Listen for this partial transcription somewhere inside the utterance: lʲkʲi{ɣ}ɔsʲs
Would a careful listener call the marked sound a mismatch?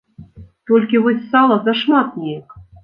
yes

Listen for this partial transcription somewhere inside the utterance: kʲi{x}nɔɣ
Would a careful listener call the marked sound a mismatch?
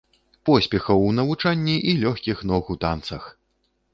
no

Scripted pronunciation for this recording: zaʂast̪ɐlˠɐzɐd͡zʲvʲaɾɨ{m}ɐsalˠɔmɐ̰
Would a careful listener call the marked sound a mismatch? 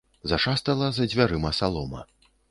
no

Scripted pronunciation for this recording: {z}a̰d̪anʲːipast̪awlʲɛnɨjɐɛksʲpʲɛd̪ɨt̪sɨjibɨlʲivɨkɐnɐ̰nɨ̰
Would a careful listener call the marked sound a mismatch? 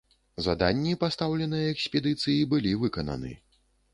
no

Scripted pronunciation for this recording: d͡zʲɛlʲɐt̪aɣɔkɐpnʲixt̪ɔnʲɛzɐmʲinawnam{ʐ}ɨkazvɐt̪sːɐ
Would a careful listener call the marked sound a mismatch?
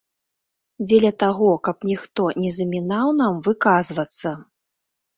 yes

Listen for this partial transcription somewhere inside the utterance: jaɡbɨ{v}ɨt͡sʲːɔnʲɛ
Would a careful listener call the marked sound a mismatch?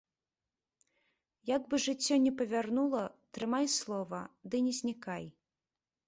yes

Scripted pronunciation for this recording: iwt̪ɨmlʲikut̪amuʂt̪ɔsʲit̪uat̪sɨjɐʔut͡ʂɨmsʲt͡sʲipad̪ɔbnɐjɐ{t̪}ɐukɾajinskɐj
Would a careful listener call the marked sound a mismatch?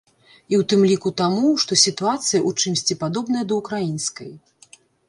yes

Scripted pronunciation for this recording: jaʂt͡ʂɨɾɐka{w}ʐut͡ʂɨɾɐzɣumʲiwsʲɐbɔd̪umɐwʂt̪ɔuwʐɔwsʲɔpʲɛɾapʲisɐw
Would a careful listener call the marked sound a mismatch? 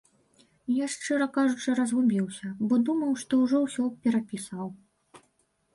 yes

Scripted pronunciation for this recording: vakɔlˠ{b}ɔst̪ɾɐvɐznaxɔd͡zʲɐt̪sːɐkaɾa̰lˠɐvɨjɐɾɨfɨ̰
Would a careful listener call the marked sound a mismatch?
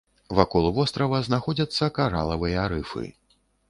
yes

